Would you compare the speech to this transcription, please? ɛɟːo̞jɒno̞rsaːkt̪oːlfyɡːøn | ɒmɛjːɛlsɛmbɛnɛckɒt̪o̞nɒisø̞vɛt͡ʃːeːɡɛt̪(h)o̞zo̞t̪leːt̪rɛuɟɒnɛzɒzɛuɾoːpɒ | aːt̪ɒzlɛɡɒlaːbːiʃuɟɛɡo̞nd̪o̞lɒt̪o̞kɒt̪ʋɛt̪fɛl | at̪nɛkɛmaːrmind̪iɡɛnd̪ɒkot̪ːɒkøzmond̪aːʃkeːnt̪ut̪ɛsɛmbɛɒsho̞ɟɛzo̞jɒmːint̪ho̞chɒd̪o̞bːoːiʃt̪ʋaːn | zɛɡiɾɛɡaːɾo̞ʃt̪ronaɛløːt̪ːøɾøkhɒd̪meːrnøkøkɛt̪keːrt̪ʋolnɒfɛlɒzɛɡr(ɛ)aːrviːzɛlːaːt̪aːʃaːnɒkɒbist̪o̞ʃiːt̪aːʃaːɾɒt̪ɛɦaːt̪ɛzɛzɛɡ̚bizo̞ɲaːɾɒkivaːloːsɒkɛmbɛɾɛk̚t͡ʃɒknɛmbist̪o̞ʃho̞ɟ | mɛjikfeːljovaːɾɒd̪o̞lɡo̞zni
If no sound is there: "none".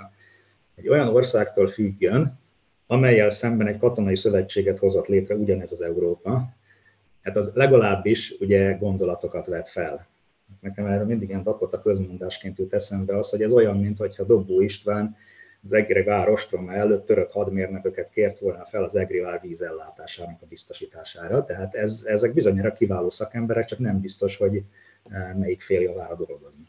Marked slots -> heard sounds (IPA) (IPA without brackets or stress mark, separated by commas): h, i